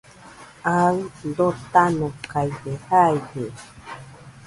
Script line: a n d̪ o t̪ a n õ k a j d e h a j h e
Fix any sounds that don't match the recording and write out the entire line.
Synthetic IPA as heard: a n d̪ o t̪ a n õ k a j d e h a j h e

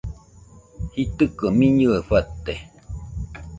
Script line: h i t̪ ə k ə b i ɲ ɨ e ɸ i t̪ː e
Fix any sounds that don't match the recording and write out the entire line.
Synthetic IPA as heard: h i t̪ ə k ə m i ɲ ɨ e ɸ a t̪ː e

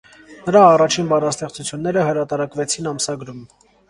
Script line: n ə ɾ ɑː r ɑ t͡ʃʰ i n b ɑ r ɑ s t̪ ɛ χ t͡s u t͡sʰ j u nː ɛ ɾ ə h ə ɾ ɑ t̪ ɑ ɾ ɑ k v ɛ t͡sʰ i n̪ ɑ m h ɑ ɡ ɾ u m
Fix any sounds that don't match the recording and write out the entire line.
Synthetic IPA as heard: n ə ɾ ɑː r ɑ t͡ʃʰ i n b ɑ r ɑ s t̪ ɛ χ t͡s u t͡sʰ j u nː ɛ ɾ ə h ə ɾ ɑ t̪ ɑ ɾ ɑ k v ɛ t͡sʰ i n̪ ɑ m s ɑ ɡ ɾ u m

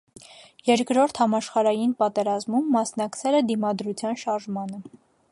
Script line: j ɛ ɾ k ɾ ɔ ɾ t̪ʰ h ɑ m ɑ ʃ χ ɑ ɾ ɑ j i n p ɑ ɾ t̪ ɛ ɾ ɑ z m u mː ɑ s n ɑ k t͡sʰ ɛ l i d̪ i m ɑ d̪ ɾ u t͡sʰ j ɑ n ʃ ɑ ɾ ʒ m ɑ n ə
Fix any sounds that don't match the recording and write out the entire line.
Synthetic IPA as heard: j ɛ ɾ k ɾ ɔ ɾ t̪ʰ h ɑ m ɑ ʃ χ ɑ ɾ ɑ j i n p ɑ t̪ ɛ ɾ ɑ z m u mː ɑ s n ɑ k t͡sʰ ɛ l ɛ d̪ i m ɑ d̪ ɾ u t͡sʰ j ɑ n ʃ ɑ ɾ ʒ m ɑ n ə

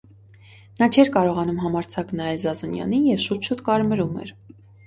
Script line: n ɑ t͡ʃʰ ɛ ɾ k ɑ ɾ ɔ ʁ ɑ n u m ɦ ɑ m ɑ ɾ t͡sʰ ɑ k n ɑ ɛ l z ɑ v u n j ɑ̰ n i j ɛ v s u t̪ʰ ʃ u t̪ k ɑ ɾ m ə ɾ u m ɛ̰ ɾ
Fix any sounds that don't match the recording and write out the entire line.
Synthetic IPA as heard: n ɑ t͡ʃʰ ɛ ɾ k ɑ ɾ ɔ ʁ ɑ n u m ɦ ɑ m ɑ ɾ t͡sʰ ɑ k n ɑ ɛ l z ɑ z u n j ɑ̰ n i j ɛ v ʃ u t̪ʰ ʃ u t̪ k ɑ ɾ m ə ɾ u m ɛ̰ ɾ

